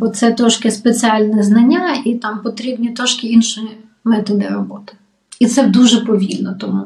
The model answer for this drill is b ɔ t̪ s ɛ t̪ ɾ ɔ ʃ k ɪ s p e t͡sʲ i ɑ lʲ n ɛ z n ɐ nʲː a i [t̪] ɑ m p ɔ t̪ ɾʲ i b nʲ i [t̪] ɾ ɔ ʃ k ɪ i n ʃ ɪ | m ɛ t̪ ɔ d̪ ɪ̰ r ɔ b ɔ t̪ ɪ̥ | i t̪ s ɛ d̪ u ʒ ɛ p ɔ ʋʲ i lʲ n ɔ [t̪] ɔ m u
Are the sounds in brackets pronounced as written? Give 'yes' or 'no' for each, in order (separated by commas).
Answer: yes, yes, yes